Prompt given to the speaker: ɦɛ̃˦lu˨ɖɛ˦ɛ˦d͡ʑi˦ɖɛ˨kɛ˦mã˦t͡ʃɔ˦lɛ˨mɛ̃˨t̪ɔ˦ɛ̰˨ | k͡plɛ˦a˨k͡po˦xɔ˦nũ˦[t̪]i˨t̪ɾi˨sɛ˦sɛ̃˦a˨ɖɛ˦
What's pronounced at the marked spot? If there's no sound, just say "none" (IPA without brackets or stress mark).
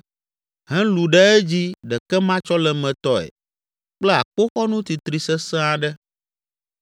t̪